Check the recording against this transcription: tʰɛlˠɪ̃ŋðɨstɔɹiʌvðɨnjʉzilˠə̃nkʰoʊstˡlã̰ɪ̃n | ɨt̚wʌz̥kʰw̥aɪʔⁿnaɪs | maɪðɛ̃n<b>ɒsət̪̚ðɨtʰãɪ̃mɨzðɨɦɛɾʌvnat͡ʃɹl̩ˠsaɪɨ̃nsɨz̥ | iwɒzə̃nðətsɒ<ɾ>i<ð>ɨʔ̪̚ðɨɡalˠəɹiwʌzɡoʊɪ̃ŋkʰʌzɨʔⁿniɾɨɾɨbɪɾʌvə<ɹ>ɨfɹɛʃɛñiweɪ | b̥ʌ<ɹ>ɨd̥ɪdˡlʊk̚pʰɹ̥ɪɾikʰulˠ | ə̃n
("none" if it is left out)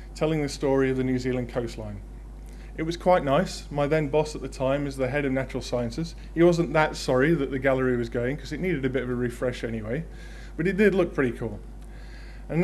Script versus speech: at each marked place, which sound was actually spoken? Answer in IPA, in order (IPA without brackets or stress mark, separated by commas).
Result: b, ɹ, ð, ɹ, ɾ